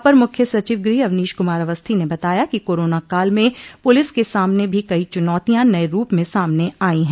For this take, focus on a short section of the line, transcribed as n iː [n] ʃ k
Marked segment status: incorrect: none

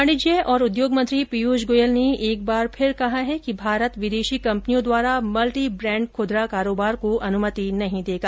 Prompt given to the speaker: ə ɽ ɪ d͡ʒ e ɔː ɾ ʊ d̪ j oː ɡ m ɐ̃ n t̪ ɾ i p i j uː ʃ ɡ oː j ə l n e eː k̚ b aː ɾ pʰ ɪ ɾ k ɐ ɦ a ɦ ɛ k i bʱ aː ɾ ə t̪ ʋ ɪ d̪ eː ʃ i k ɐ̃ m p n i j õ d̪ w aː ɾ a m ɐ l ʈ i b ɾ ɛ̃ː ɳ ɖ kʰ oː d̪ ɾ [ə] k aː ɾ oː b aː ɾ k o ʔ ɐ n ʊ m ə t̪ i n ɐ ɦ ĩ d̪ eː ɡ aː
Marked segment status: incorrect: a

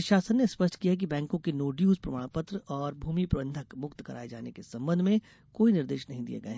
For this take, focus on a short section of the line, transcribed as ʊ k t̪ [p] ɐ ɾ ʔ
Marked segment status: incorrect: k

